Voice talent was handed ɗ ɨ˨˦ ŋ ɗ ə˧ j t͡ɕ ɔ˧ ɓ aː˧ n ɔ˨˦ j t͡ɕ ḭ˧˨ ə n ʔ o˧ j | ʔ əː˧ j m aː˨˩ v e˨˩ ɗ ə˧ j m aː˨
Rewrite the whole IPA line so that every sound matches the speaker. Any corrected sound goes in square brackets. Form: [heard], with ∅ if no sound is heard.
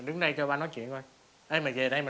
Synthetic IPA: ɗ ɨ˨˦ ŋ ɗ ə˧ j t͡ɕ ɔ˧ ɓ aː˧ n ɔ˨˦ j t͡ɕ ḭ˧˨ ə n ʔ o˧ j | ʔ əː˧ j m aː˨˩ v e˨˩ ɗ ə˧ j m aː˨